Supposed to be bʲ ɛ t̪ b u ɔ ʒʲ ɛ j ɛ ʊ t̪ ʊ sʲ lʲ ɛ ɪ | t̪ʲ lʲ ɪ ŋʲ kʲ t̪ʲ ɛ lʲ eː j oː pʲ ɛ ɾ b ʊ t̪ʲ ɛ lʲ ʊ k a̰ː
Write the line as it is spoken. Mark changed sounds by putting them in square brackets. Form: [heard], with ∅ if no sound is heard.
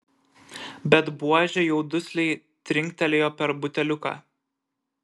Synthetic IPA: bʲ ɛ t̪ b u ɔ ʒʲ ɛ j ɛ ʊ [d̪] ʊ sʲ lʲ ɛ ɪ | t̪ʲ [ɾʲ] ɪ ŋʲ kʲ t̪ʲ ɛ lʲ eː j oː pʲ ɛ ɾ b ʊ t̪ʲ ɛ lʲ ʊ k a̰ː